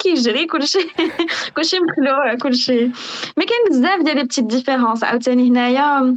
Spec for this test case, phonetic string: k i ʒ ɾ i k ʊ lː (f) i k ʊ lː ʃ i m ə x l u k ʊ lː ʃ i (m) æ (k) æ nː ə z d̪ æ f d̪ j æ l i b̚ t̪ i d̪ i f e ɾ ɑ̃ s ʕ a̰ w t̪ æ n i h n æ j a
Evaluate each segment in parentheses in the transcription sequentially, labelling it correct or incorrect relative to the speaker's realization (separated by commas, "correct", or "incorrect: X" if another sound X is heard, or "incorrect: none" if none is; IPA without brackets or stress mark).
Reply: incorrect: ʃ, correct, correct